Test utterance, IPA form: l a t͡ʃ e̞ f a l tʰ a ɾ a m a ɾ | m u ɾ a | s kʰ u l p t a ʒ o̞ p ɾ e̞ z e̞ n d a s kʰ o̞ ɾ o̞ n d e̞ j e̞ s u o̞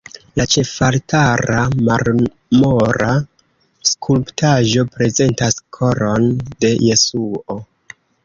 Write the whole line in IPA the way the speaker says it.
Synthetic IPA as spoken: l a t͡ʃ e̞ f a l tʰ a ɾ a m a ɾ | m o ɾ a | s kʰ u l p t a ʒ o̞ p ɾ e̞ z e̞ n t a s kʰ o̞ ɾ o̞ n d e̞ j e̞ s u o̞